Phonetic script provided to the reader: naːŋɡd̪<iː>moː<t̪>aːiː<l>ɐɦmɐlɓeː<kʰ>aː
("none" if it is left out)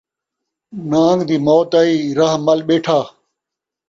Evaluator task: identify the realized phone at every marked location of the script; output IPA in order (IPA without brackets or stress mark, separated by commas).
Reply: iː, t̪, ɾ, ʈʰ